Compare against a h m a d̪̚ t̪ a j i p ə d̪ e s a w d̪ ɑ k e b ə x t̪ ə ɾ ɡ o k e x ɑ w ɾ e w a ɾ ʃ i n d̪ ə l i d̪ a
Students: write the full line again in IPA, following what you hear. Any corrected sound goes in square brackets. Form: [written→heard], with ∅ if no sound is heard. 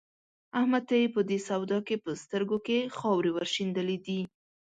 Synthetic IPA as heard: a h m a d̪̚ t̪ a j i p ə d̪ e s a w d̪ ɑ k e [b→p] ə [x→s] t̪ ə ɾ ɡ o k e x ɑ w ɾ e w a ɾ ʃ i n d̪ ə l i d̪ [a→i]

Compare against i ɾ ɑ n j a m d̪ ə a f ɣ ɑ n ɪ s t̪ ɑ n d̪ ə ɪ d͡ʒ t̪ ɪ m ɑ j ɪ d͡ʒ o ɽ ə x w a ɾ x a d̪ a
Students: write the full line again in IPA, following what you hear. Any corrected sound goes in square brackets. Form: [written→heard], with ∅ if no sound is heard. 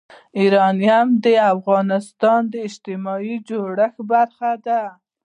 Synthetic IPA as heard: i ɾ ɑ n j a m d̪ ə a f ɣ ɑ n ɪ s t̪ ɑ n d̪ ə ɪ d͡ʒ t̪ ɪ m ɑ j [ɪ→i] d͡ʒ o ɽ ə x [w→b] a ɾ x a d̪ a

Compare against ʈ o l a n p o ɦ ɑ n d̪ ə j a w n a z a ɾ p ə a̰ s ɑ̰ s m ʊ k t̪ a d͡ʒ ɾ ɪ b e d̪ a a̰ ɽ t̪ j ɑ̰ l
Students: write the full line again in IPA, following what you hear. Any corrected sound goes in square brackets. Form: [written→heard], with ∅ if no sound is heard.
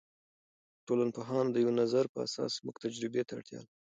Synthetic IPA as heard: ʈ o l a n p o ɦ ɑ n d̪ ə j a w n a z a ɾ p ə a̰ s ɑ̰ s m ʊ k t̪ a d͡ʒ ɾ ɪ b e [d̪→t̪] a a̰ ɽ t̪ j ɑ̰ l

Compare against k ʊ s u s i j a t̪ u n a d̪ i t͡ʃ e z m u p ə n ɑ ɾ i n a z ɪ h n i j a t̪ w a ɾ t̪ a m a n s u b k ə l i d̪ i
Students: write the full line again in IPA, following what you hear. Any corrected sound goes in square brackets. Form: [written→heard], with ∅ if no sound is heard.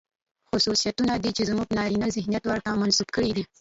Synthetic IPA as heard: [k→x] ʊ s u s i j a t̪ u n a d̪ i t͡ʃ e z m u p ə n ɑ ɾ i n a z ɪ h n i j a t̪ w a ɾ t̪ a m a n s u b k ə [l→ɽ] i d̪ i

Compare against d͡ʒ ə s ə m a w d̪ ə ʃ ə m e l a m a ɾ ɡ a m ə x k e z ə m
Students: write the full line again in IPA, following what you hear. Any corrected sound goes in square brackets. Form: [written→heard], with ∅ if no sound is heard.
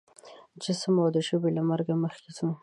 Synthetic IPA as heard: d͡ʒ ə s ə m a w d̪ ə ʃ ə [m→b] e l a m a ɾ ɡ a m ə x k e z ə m

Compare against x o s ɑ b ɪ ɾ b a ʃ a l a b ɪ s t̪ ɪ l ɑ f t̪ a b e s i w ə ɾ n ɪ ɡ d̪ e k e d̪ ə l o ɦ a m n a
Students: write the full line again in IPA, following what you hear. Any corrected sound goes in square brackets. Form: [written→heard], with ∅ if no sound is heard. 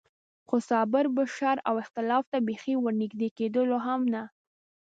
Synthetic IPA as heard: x o s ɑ b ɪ ɾ b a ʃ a [l→ɾ] a [b→w] ɪ [s→x] t̪ ɪ l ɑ f t̪ a b e [s→x] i w ə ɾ n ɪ ɡ d̪ e k e d̪ ə l o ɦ a m n a

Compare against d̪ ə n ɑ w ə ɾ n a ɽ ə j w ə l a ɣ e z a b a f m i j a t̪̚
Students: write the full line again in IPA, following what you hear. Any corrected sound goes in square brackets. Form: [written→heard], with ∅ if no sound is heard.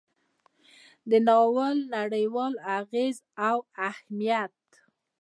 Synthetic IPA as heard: d̪ ə n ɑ w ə [ɾ→l] n a ɽ ə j w [ə→ɑ] l a ɣ e z a [b→w] a [f→h] m i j a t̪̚

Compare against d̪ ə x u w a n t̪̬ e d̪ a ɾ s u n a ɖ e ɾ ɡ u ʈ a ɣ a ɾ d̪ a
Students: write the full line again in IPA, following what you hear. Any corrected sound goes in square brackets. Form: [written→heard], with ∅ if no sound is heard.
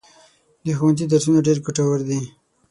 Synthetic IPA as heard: d̪ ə x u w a n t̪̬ [e→i] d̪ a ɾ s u n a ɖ e ɾ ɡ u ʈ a [ɣ→w] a ɾ d̪ [a→i]

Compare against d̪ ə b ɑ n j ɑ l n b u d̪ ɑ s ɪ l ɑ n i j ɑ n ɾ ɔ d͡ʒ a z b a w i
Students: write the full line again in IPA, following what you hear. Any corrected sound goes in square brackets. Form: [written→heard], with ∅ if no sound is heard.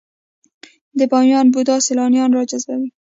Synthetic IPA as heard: d̪ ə b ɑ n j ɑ [l→∅] n b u d̪ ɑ s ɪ l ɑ n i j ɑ n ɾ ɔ d͡ʒ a z b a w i

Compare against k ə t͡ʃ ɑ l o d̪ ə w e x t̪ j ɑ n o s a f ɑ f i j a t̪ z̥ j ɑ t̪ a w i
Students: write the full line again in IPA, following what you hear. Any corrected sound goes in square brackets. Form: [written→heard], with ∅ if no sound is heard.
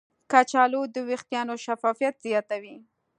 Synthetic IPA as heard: k [ə→a] t͡ʃ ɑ l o d̪ ə w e x t̪ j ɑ n o [s→ʃ] a f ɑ f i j a t̪ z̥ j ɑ t̪ a w i

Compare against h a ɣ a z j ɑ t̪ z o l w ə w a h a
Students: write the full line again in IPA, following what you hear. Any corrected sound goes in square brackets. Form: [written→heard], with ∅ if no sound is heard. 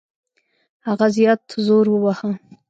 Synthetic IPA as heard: h a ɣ a z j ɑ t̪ z o [l→ɾ] w ə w a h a

